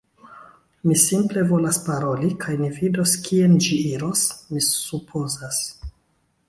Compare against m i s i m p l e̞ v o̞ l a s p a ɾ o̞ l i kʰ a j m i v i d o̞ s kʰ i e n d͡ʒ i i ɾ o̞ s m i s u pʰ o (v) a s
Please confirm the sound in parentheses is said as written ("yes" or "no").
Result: no